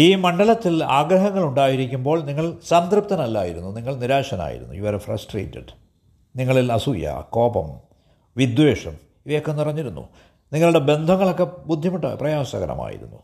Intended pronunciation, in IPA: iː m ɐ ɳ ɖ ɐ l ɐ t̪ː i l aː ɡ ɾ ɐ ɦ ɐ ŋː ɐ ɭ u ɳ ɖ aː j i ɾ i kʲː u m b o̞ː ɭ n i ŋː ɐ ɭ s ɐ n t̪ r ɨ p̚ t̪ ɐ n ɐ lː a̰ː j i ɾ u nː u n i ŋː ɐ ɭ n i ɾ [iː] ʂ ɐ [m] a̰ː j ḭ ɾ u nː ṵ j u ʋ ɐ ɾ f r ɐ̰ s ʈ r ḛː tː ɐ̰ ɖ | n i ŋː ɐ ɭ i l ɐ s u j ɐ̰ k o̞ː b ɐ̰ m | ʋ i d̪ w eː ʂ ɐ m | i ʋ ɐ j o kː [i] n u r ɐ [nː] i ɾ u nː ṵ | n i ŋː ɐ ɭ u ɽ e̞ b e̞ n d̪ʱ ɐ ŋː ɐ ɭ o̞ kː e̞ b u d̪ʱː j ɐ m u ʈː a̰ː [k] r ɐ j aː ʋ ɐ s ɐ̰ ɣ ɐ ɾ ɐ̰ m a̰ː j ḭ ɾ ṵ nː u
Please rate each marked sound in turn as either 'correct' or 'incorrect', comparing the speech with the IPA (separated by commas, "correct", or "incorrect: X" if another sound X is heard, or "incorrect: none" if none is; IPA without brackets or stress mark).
incorrect: aː, incorrect: n, incorrect: e, incorrect: ɲː, incorrect: p